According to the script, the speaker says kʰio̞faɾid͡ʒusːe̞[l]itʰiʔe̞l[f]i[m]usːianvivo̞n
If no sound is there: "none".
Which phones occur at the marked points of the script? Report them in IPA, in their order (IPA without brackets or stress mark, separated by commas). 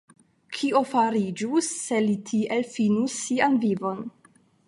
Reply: l, f, n